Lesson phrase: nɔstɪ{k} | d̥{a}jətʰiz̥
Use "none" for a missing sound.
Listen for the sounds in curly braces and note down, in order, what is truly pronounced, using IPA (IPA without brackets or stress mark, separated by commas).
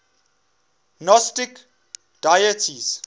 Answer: k, a